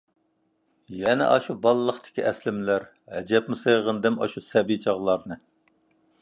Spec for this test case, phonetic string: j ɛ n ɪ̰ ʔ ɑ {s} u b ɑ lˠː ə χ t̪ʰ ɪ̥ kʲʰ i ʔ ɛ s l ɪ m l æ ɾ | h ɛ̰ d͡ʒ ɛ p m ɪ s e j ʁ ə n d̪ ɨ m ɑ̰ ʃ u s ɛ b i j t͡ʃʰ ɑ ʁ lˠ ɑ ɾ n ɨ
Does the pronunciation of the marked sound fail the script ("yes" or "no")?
yes